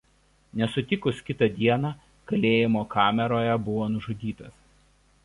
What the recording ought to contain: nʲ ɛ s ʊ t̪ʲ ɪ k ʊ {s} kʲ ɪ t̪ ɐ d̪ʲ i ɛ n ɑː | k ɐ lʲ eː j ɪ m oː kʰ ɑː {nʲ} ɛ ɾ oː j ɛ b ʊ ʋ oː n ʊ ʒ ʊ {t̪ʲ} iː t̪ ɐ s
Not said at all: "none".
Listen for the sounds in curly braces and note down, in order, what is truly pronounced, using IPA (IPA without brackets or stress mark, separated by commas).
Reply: s, mʲ, d̪ʲ